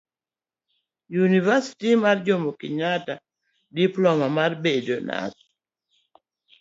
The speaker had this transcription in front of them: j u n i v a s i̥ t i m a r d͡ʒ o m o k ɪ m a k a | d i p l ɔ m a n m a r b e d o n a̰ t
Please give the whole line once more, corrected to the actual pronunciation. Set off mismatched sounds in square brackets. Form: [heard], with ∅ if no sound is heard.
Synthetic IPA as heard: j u n i v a s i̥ t i m a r d͡ʒ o m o k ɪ [ɲ] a [t] a | d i p l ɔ m a [∅] m a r b e d o n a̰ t